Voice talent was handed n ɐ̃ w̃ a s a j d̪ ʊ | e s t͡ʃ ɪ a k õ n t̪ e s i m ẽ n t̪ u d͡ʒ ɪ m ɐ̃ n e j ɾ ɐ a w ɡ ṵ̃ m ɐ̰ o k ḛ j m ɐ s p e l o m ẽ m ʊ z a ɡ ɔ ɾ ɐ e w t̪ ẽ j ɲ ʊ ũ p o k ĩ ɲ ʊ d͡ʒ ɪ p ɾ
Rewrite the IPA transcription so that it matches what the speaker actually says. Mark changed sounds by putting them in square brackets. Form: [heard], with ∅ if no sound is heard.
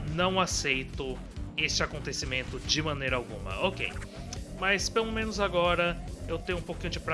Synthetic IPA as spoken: n ɐ̃ w̃ a s [e] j [t̪] ʊ | e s t͡ʃ ɪ a k õ n t̪ e s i m ẽ n t̪ [ʊ] d͡ʒ ɪ m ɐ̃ n e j ɾ ɐ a w ɡ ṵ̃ m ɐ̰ o k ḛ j m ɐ s p e l o m ẽ [n] ʊ z a ɡ ɔ ɾ ɐ e w t̪ ẽ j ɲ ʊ ũ p o k ĩ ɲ ʊ d͡ʒ ɪ p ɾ